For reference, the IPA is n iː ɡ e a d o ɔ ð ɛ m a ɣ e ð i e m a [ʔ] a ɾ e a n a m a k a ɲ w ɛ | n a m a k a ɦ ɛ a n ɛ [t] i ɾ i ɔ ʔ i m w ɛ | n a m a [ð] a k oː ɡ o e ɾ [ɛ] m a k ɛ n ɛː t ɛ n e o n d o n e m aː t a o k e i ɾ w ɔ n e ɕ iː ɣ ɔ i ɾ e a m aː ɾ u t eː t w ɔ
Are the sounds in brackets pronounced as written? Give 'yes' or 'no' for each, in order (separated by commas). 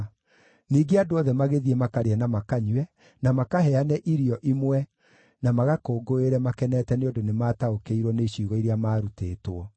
no, no, no, yes